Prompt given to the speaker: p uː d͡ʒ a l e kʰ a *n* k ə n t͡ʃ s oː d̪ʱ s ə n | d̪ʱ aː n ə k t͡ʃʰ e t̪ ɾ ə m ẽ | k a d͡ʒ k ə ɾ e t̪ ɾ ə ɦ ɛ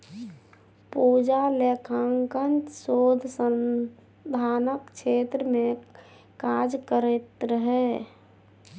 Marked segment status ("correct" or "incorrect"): incorrect